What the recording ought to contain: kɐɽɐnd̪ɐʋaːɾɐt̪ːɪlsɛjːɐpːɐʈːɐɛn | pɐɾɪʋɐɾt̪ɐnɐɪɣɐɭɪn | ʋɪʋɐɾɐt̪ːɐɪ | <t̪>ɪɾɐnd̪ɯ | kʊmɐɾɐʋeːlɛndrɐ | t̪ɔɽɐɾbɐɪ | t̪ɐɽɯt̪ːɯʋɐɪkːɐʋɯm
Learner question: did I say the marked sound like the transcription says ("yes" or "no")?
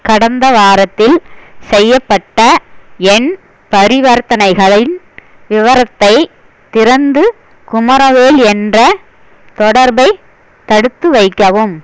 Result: yes